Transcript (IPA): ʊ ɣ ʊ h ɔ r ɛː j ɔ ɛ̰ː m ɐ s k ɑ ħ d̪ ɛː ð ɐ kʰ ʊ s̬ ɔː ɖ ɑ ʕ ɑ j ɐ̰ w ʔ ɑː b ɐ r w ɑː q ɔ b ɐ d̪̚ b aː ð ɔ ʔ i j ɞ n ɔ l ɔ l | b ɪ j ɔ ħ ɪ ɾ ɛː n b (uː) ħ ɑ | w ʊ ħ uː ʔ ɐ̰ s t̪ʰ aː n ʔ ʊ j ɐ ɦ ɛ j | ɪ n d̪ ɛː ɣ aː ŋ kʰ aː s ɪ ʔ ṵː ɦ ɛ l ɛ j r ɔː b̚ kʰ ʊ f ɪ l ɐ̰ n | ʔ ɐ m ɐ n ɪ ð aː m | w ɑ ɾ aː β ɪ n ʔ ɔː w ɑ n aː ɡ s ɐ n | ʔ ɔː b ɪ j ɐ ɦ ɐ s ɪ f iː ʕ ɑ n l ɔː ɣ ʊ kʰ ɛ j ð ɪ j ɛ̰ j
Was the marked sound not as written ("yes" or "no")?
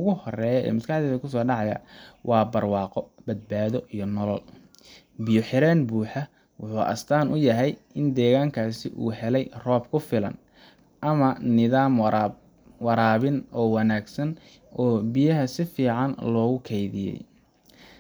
no